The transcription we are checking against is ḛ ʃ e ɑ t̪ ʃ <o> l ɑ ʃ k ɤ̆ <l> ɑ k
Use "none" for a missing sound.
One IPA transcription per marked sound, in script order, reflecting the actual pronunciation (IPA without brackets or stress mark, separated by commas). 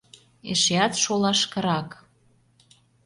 o, ɾ